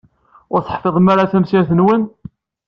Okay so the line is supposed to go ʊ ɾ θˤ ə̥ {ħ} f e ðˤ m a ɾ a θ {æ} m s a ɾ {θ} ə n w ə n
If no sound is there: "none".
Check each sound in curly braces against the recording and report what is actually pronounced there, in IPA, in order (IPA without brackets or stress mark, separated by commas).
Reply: ħ, æ, θ